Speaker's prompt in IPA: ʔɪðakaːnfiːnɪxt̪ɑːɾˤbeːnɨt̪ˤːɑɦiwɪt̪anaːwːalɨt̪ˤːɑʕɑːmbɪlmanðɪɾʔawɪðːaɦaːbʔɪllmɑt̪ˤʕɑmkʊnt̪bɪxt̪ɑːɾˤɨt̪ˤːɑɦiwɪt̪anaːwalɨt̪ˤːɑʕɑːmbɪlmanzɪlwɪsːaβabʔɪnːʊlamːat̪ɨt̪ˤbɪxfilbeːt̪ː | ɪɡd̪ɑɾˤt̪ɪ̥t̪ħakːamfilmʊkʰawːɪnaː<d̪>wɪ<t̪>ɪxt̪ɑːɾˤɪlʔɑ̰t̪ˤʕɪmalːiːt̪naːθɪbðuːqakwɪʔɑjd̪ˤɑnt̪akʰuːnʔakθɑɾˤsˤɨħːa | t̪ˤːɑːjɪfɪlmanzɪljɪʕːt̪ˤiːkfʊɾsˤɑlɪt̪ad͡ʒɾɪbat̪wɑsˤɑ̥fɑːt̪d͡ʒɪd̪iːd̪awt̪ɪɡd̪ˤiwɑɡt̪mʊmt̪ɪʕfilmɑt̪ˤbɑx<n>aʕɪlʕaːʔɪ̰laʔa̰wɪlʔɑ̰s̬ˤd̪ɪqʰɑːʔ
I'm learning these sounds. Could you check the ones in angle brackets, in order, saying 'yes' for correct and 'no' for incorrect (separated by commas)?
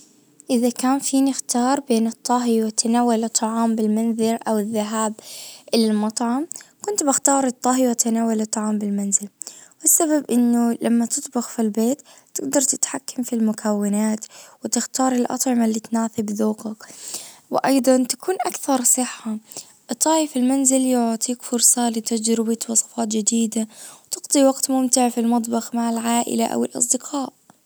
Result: no, yes, no